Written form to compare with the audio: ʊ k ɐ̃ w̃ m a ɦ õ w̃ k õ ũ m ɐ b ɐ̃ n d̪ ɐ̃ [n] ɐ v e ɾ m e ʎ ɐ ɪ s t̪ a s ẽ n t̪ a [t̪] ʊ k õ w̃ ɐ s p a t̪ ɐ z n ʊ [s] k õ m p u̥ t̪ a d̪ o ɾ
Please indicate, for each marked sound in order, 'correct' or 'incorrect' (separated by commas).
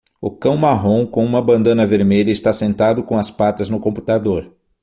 correct, incorrect, incorrect